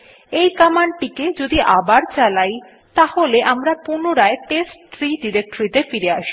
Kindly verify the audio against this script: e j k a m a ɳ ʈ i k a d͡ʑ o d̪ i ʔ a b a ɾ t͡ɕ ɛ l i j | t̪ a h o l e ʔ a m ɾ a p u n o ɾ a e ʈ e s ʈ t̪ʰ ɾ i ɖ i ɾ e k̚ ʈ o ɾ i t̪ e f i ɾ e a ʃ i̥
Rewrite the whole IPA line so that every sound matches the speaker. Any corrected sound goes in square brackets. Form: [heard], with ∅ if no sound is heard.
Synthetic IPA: e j k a m a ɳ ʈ i k [e] d͡ʑ o d̪ i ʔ a b a ɾ t͡ɕ [a] l [a] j | t̪ a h o l e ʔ a m ɾ a p u n o ɾ a e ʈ e s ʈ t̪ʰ ɾ i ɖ i ɾ e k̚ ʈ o ɾ i t̪ e f i ɾ e a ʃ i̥

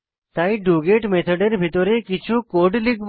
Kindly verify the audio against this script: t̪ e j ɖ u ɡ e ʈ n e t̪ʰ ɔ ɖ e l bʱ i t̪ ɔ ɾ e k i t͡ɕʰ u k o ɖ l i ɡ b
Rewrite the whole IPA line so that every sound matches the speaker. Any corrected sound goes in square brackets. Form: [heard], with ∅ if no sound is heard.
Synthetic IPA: t̪ [a] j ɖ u ɡ e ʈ [m] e t̪ʰ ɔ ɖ e [ɾ] bʱ i t̪ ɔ ɾ e k i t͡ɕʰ u k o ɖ l i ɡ b

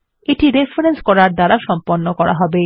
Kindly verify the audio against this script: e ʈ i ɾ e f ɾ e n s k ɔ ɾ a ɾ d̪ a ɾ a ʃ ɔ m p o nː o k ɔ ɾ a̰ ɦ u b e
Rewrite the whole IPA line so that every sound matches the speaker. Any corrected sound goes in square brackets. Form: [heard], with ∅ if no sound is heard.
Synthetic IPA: e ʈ i ɾ e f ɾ e n s k ɔ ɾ a ɾ d̪ a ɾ a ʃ ɔ m p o nː o k ɔ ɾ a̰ ɦ [ɔ] b e

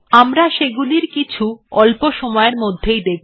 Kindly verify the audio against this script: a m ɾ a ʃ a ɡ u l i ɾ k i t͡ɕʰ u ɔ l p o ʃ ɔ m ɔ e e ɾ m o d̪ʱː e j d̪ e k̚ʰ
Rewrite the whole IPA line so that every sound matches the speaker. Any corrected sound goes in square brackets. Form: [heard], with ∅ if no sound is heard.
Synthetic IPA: a m ɾ a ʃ [e] ɡ u l i ɾ k i t͡ɕʰ u ɔ l p o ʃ ɔ m ɔ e e ɾ m o d̪ʱː e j d̪ e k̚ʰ

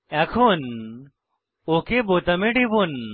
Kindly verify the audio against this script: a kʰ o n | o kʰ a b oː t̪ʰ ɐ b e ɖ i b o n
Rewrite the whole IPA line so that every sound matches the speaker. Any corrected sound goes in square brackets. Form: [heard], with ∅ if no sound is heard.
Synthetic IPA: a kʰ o n | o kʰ [e] b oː [t̪] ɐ [m] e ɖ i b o n

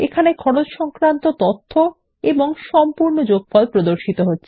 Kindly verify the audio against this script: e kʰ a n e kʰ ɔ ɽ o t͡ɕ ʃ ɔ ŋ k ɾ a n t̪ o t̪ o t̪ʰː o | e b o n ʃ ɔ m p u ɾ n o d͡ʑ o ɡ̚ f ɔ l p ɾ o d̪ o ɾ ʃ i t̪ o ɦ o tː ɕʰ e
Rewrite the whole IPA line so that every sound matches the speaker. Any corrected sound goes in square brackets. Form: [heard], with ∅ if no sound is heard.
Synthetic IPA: e kʰ a n e kʰ ɔ ɽ o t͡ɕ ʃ ɔ ŋ k ɾ a n t̪ o t̪ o t̪ʰː o | e b o [ŋ] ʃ ɔ m p u ɾ n o d͡ʑ o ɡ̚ f ɔ l p ɾ o d̪ o ɾ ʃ i t̪ o ɦ o tː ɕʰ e

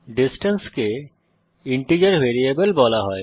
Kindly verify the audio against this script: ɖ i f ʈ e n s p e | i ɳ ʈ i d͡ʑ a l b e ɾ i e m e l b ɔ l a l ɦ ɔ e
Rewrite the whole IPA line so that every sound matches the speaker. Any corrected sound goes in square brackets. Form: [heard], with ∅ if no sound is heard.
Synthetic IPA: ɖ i [s] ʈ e n s [k] e | i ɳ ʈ i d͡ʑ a [ɾ] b e ɾ i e [b] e l b ɔ l a [∅] ɦ ɔ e

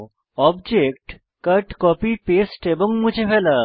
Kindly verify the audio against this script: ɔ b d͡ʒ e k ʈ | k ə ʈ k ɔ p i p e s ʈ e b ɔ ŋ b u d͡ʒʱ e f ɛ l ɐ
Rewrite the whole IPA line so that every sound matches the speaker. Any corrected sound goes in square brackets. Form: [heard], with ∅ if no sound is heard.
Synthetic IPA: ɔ b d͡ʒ e k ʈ | k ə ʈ k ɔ p i p e s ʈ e b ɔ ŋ [m] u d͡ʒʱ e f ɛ l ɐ

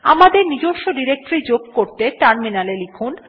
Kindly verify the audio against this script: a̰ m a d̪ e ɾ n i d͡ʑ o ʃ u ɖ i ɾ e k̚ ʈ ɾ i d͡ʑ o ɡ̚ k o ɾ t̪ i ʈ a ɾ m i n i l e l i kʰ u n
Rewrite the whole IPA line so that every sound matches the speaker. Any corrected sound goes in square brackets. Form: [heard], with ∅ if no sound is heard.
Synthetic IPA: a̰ m a d̪ e ɾ n i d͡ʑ o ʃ [o] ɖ i ɾ e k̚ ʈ ɾ i d͡ʑ o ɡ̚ k o ɾ t̪ [e] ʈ a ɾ m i n [a] l e l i kʰ u n

